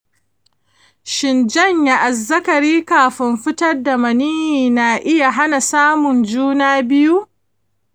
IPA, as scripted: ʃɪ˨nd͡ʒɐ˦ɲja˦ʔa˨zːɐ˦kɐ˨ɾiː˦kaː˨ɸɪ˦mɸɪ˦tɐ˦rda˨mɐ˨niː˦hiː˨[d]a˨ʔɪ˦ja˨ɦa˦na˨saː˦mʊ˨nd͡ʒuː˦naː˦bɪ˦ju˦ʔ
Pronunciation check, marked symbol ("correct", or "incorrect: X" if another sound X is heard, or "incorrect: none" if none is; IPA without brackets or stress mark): incorrect: n